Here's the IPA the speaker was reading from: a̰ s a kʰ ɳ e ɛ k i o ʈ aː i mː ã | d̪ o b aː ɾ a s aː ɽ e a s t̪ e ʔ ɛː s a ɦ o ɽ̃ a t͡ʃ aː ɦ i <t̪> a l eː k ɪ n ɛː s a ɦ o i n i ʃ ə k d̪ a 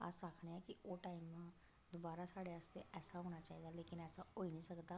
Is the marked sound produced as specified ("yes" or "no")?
no